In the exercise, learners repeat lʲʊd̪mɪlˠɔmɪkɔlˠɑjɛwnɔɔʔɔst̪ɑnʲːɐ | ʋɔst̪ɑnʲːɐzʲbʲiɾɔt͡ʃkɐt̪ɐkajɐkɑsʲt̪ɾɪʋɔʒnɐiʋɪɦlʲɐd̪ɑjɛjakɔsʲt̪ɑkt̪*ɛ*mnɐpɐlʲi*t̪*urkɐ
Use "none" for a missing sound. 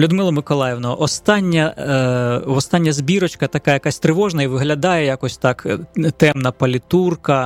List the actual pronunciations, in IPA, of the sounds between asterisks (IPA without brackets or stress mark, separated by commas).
ɛ, t̪